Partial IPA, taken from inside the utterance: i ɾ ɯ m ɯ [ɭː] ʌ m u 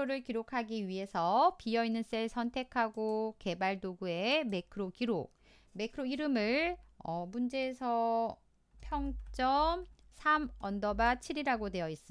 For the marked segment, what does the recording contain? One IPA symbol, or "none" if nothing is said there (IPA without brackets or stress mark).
ɭ